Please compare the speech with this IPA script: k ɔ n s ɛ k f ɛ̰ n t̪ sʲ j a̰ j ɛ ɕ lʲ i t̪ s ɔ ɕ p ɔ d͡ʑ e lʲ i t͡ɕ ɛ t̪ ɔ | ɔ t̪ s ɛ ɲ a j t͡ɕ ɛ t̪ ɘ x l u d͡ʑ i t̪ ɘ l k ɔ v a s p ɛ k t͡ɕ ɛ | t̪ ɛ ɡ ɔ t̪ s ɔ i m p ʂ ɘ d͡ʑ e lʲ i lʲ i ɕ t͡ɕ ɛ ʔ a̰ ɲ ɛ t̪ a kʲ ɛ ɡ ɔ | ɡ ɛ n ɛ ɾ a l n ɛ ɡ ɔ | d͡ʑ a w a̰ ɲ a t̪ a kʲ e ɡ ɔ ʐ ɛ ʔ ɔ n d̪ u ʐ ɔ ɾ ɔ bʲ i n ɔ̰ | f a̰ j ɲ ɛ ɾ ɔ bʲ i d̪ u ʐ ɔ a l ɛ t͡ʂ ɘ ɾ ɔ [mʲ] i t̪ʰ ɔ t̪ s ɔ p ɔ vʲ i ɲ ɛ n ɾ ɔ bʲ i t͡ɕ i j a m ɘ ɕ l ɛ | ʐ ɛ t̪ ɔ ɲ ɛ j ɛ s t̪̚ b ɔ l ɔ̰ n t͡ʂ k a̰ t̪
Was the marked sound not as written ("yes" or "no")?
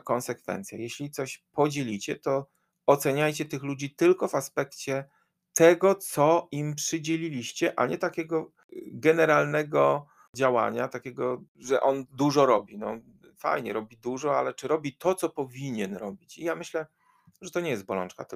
yes